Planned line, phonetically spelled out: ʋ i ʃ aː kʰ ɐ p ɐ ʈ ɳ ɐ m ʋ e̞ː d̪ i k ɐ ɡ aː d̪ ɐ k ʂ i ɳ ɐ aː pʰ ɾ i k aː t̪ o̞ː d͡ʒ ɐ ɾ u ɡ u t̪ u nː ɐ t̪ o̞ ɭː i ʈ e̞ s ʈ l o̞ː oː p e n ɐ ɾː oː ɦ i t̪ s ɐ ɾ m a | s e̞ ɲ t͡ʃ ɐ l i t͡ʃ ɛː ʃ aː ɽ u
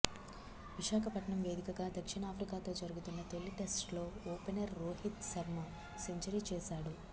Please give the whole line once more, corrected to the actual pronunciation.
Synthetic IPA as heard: ʋ i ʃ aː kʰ ɐ p ɐ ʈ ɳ ɐ m ʋ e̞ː d̪ i k ɐ ɡ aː d̪ ɐ k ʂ i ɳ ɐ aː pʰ ɾ i k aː t̪ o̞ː d͡ʒ ɐ ɾ u ɡ u t̪ u nː ɐ t̪ o̞ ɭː i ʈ e̞ s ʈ l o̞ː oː p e n ɐ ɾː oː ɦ i t̪ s ɐ ɾ m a | s e̞ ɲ t͡ʃ ɐ ɾ i t͡ʃ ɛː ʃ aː ɽ u

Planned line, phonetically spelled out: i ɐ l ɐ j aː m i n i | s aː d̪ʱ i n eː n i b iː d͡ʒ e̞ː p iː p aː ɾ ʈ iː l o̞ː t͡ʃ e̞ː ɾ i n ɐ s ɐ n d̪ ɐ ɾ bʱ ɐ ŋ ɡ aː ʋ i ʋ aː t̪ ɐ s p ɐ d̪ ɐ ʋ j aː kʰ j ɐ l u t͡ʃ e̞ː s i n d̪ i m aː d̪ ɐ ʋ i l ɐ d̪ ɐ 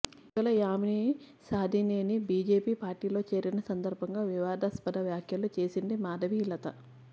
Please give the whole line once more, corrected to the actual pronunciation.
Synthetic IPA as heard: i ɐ l ɐ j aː m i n i | s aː d̪ʱ i n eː n i b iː d͡ʒ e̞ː p iː p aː ɾ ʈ iː l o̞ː t͡ʃ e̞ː ɾ i n ɐ s ɐ n d̪ ɐ ɾ bʱ ɐ ŋ ɡ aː ʋ i ʋ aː d̪ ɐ s p ɐ d̪ ɐ ʋ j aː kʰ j ɐ l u t͡ʃ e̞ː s i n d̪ i m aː d̪ ɐ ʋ i l ɐ t̪ ɐ

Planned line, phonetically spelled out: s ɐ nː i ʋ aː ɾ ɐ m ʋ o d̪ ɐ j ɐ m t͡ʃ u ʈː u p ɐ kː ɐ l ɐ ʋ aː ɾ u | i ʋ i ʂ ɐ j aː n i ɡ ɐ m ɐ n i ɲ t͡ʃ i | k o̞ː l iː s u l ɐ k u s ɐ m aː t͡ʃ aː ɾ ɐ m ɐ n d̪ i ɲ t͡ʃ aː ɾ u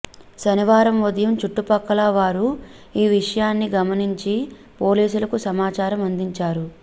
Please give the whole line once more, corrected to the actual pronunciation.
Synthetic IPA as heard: s ɐ n i ʋ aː ɾ ɐ m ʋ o d̪ ɐ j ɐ m t͡ʃ u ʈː u p ɐ kː ɐ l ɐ ʋ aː ɾ u | iː ʋ i ʂ ɐ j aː nː i ɡ ɐ m ɐ n i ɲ t͡ʃ i | p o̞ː l iː s u l ɐ k u s ɐ m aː t͡ʃ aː ɾ ɐ m ɐ n d̪ i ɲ t͡ʃ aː ɾ u

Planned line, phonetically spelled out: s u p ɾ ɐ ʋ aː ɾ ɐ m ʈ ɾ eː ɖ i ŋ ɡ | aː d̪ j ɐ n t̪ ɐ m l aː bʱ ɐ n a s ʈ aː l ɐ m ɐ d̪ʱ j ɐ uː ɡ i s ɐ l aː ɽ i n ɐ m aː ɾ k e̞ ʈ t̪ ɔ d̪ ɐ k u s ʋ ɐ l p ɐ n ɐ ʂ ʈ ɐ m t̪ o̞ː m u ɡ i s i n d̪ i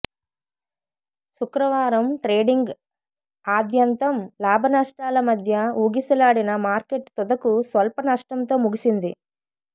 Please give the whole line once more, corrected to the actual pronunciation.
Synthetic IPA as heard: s u k ɾ ɐ ʋ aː ɾ ɐ m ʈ ɾ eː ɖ i ŋ ɡ | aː d̪ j ɐ n t̪ ɐ m l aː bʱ ɐ n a ʂ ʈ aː l ɐ m ɐ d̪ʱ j ɐ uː ɡ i s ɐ l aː ɽ i n ɐ m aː ɾ k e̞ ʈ t̪ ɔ d̪ ɐ k u s ʋ ɐ l p ɐ n ɐ ʂ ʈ ɐ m t̪ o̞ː m u ɡ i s i n d̪ i

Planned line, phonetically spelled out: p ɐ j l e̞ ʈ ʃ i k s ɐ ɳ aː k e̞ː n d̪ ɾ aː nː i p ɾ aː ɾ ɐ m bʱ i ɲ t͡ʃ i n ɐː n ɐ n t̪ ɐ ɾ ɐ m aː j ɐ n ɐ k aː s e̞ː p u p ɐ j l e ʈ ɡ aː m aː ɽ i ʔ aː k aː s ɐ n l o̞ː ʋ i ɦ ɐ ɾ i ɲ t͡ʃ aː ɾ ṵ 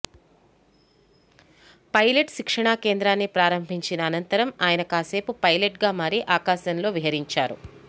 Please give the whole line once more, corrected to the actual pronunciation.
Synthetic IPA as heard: p ɐ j l e̞ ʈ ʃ i k ʂ ɐ ɳ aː k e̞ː n d̪ ɾ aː nː i p ɾ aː ɾ ɐ m bʱ i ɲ t͡ʃ i n ɐː n ɐ n t̪ ɐ ɾ ɐ m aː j ɐ n ɐ k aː s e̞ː p u p ɐ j l e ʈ ɡ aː m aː ɾ i ʔ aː k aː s ɐ n l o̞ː ʋ i ɦ ɐ ɾ i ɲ t͡ʃ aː ɾ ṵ

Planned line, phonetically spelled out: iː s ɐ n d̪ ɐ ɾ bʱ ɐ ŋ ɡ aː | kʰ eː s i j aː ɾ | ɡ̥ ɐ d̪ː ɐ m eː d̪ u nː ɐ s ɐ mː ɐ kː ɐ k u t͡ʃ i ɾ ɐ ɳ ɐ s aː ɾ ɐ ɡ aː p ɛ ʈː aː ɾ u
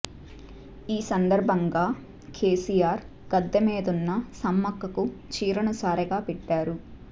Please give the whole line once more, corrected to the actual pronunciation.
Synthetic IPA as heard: iː s ɐ n d̪ ɐ ɾ bʱ ɐ ŋ ɡ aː | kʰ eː s i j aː ɾ | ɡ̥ ɐ d̪ː ɐ m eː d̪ u nː ɐ s ɐ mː ɐ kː ɐ k u t͡ʃ iː ɾ ɐ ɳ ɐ s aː ɾ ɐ ɡ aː p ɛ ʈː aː ɾ u

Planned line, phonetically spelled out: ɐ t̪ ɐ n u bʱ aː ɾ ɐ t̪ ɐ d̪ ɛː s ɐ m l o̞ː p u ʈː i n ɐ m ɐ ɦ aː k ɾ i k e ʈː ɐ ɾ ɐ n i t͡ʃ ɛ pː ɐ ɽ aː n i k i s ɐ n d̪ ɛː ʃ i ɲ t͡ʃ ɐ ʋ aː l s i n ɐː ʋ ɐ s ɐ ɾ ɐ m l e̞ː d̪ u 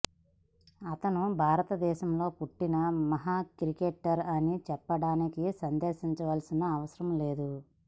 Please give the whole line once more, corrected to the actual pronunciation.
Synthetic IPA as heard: ɐ t̪ ɐ n u bʱ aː ɾ ɐ t̪ ɐ d̪ ɛː ʃ ɐ m l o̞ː p u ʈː i n ɐ m ɐ ɦ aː k ɾ i k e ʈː ɐ ɾ ɐ n i t͡ʃ ɛ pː ɐ ɽ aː n i k i s ɐ n d̪ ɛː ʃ i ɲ t͡ʃ ɐ ʋ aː l s i n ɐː ʋ ɐ s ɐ ɾ ɐ m l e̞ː d̪ u

